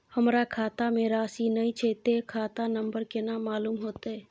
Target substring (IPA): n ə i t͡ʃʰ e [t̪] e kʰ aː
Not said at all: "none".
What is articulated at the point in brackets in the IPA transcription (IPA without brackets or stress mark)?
t̪